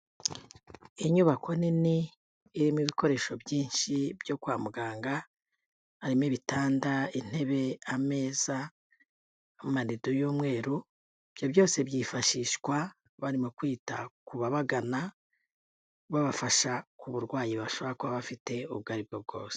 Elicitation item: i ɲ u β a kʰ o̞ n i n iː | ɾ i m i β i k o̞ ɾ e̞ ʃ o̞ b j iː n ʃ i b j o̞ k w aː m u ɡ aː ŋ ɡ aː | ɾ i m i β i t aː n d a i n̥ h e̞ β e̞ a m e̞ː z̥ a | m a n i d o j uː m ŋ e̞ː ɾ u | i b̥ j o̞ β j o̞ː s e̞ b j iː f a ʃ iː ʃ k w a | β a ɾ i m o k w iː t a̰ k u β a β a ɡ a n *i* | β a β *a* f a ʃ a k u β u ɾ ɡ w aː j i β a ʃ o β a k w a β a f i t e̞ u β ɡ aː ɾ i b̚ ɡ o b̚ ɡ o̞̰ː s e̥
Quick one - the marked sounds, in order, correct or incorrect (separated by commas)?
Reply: incorrect, correct